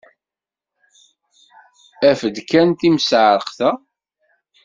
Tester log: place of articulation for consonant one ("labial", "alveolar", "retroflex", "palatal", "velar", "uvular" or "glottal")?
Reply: labial